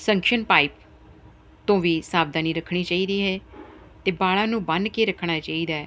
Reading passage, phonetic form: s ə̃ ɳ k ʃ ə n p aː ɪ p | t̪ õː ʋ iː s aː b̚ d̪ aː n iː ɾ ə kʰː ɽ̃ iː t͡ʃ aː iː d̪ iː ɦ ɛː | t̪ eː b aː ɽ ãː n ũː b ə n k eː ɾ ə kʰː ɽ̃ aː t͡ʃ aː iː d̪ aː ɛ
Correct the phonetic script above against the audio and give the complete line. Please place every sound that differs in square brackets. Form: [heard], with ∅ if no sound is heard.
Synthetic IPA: s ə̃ [ŋ] k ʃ ə n p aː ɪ p | t̪ õː ʋ iː s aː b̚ d̪ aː n iː ɾ ə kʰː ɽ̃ iː t͡ʃ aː iː d̪ iː ɦ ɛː | t̪ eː b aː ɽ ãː n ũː b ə n k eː ɾ ə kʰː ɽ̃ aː t͡ʃ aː iː d̪ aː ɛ